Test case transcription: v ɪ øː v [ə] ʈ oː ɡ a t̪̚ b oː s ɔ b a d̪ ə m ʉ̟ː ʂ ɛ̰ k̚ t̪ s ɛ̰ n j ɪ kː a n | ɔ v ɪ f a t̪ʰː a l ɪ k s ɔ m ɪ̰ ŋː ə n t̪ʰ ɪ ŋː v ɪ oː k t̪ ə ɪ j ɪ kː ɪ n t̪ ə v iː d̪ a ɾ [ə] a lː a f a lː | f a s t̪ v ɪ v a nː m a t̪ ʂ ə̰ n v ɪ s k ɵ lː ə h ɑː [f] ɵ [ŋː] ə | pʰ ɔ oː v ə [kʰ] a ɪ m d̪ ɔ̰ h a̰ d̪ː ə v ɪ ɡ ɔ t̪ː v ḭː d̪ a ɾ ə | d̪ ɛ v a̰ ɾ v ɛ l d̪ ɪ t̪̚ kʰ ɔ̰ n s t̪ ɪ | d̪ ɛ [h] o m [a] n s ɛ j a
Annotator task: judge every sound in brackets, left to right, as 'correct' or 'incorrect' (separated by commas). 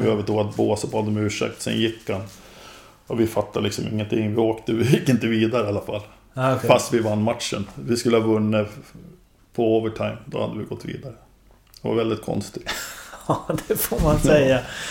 correct, correct, incorrect, incorrect, incorrect, incorrect, correct